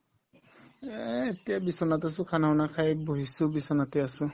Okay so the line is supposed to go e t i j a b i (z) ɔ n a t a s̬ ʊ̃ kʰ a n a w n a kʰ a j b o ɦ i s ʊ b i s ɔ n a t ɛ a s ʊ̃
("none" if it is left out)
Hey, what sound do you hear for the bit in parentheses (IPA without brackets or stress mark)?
s